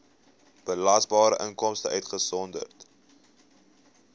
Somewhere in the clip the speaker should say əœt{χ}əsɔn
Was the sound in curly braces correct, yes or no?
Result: yes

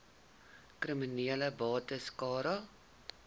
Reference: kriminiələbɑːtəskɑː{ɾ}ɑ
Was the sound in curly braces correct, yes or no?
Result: yes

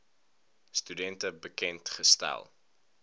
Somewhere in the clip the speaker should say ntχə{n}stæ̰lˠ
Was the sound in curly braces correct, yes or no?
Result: no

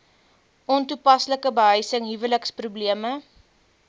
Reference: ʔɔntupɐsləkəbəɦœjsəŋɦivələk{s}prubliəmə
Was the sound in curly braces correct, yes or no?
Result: yes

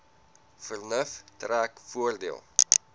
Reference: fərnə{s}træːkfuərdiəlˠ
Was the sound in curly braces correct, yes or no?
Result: no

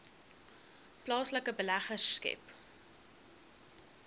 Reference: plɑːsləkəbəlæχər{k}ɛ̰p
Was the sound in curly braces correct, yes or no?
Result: yes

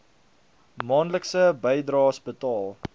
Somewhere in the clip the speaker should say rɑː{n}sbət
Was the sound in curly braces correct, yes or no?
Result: no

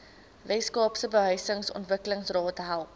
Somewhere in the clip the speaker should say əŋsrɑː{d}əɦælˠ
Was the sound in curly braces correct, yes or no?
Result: no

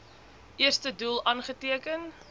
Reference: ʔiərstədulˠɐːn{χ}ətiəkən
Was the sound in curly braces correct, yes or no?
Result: yes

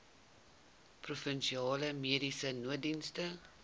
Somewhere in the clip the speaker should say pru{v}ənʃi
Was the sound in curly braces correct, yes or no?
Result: no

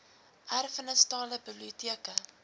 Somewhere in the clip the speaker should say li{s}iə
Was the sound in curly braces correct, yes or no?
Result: no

